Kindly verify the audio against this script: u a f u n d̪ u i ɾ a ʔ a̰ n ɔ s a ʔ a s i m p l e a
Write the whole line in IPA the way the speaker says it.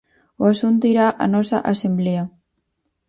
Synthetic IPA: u a s u n t̪ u i ɾ a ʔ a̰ n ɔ s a ʔ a s e m b l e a